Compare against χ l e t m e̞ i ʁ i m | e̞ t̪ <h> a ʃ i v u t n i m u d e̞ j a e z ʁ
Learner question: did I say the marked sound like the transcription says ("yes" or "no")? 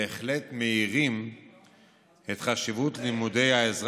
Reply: no